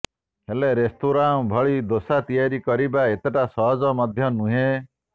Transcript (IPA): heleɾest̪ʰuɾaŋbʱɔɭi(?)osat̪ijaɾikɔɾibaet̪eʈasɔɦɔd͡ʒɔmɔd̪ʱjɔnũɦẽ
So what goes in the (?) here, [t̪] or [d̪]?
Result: d̪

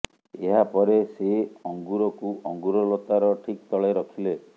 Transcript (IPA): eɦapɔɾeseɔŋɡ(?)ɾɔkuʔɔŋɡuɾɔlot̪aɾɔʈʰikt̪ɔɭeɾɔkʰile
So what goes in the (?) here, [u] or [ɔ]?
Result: u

